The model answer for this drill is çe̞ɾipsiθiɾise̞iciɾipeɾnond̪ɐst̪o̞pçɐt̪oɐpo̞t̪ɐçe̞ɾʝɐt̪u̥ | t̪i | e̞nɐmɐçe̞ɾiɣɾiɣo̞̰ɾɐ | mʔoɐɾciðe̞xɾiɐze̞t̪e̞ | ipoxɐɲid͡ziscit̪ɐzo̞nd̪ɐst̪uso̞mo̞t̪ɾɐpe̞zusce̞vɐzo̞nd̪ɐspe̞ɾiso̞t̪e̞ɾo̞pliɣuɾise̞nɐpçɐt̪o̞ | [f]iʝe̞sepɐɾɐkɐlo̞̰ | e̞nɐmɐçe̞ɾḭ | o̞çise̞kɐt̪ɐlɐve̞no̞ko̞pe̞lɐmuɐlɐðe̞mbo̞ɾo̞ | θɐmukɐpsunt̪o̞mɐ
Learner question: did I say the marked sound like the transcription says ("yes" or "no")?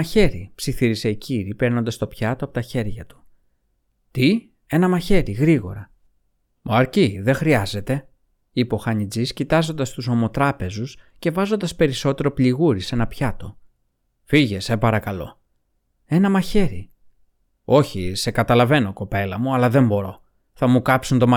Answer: yes